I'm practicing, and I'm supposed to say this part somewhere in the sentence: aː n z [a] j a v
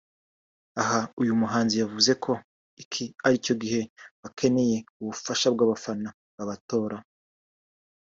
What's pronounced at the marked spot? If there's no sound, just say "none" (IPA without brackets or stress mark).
i